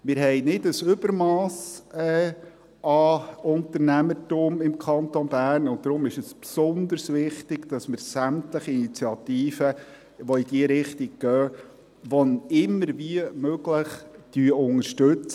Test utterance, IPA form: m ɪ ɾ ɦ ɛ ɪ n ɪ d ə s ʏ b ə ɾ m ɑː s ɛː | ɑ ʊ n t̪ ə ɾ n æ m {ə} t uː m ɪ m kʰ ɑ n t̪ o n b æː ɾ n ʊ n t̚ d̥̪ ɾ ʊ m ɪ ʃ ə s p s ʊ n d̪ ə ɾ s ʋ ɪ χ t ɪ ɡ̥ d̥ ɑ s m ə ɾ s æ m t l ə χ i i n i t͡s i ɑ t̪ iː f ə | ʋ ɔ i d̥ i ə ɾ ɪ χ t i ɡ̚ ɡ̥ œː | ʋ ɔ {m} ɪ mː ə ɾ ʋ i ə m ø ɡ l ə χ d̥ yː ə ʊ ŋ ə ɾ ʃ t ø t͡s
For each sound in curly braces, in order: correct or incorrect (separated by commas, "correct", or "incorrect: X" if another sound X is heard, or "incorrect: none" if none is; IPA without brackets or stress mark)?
correct, incorrect: n